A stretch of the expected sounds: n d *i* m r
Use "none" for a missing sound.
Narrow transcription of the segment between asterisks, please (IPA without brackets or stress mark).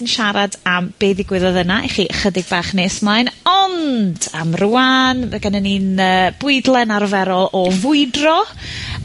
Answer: a